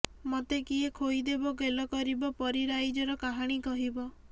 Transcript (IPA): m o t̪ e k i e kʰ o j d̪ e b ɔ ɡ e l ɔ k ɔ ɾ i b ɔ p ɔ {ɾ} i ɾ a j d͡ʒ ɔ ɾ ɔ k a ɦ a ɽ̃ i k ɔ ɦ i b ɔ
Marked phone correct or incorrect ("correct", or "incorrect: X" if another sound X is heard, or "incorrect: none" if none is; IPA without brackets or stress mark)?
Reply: correct